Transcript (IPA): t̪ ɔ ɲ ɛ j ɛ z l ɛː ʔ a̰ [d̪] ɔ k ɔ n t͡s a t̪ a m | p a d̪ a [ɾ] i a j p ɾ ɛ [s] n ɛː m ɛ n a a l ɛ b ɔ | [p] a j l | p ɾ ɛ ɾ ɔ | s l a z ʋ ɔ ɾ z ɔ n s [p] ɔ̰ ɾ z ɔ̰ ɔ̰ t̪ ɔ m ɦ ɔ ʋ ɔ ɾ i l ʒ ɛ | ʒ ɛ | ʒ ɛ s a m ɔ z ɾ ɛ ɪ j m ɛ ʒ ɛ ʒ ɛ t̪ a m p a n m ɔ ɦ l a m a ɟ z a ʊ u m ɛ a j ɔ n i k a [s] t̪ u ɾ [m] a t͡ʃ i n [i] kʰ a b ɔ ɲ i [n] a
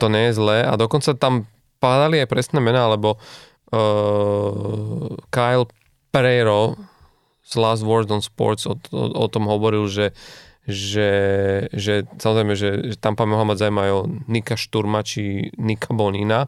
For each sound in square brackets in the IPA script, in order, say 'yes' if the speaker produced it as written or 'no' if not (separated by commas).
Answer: yes, no, yes, no, yes, no, yes, yes, yes